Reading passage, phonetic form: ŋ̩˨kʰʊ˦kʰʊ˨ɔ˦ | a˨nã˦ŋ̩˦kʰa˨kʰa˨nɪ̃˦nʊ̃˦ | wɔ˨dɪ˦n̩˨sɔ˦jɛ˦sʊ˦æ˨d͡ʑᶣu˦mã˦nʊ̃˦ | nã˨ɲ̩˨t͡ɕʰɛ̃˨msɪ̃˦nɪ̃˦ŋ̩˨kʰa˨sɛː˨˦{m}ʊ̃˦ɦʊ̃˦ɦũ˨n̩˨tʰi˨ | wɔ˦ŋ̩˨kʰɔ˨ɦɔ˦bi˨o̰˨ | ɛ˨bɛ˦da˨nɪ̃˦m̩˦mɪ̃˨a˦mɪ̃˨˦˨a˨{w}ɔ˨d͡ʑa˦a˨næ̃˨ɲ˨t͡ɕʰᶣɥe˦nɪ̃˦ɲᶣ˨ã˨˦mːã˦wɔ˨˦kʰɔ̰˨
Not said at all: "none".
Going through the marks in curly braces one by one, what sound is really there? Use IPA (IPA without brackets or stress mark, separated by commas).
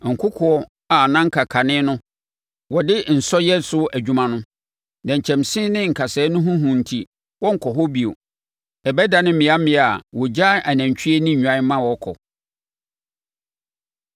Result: n, w